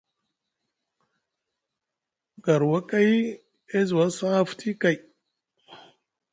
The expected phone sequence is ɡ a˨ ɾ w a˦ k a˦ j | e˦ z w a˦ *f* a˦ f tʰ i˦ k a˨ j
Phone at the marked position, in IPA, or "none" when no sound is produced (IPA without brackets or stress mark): s